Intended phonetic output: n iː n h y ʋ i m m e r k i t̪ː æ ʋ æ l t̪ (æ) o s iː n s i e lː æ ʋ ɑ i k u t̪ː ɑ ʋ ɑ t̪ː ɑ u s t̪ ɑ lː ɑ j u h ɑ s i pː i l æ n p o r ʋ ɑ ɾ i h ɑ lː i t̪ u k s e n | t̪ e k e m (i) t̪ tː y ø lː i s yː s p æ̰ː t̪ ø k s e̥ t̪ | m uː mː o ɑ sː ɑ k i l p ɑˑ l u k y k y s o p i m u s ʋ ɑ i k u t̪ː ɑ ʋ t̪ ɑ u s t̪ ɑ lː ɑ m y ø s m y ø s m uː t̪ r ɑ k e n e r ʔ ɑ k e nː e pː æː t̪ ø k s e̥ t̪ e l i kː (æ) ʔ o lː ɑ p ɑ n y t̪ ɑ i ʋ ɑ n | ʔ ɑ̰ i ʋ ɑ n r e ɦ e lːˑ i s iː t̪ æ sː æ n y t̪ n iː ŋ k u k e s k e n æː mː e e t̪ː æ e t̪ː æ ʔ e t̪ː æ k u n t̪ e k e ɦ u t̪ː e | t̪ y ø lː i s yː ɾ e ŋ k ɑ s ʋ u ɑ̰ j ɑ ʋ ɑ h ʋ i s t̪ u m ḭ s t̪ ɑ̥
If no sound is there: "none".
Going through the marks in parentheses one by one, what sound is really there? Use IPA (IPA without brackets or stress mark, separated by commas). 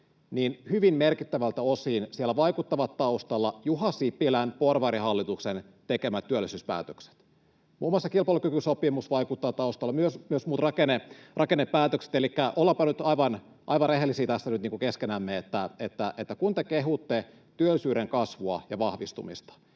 æ, æ, æ